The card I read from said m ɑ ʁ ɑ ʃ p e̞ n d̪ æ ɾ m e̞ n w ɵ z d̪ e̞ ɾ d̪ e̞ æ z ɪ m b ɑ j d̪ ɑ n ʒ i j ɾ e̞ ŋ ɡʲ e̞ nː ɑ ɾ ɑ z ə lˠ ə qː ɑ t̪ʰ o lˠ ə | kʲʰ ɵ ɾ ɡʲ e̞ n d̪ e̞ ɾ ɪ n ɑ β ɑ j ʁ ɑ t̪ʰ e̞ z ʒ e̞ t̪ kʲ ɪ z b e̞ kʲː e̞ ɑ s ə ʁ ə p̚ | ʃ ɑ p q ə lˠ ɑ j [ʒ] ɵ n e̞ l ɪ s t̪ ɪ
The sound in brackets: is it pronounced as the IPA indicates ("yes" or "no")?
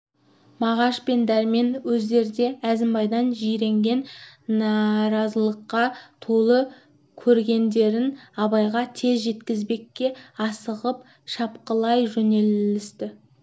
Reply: yes